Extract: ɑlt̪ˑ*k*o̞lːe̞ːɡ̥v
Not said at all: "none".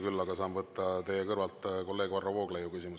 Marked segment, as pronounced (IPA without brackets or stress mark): k